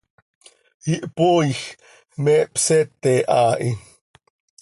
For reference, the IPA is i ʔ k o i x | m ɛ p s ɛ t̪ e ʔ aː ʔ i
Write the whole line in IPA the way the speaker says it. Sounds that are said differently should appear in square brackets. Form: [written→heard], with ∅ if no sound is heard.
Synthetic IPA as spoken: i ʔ [k→p] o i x | m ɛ p s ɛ t̪ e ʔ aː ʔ i